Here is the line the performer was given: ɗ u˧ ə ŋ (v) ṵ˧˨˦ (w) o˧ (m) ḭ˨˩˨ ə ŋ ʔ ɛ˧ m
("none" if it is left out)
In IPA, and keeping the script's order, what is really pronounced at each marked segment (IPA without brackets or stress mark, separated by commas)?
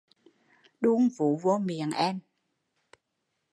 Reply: v, v, m